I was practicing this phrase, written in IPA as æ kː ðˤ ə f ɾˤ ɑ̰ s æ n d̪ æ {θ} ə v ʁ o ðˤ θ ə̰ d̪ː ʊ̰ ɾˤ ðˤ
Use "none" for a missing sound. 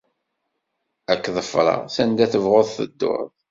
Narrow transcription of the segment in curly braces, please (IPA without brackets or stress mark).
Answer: θ